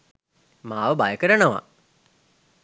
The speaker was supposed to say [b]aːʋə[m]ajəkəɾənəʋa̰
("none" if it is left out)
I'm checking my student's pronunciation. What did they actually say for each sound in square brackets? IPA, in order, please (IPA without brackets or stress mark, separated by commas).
m, b